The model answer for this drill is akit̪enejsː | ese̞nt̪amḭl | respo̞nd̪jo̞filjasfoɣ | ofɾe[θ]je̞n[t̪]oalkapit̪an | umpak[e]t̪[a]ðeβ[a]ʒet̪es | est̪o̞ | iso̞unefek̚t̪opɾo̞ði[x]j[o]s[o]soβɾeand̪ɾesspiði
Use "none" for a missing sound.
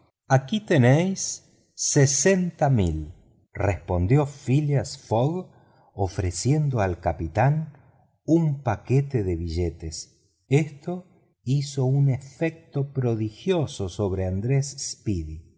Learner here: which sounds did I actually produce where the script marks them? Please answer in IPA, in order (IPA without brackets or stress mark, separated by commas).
s, d̪, e, e, i, x, o, o